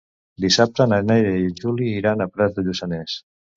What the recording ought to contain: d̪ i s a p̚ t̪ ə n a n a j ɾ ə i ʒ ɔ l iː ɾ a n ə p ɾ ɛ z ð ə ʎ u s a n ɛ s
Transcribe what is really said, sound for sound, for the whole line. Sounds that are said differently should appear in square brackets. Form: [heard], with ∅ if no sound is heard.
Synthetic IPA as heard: d̪ i s a p̚ t̪ ə n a n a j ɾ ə i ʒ [u] l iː ɾ a n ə p ɾ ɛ z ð ə ʎ u s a n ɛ s